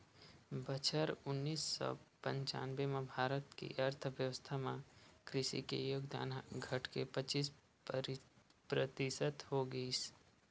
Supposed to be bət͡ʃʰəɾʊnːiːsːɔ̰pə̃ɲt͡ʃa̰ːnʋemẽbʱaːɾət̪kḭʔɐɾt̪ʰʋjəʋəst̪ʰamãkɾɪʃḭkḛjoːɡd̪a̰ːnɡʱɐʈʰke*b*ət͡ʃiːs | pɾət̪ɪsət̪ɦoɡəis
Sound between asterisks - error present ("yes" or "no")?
yes